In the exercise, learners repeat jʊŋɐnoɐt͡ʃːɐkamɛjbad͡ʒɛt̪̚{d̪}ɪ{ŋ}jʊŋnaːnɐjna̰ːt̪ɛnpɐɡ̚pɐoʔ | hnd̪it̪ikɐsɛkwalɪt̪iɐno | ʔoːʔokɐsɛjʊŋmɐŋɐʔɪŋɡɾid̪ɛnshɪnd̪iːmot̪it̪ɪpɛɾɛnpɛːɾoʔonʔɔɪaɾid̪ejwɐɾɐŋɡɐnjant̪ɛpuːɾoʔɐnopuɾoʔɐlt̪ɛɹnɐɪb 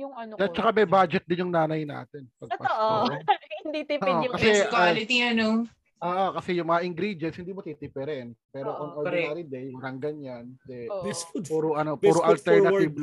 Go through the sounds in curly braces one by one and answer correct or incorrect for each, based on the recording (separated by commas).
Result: correct, incorrect